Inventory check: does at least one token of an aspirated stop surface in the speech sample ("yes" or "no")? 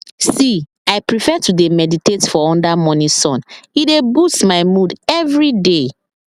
no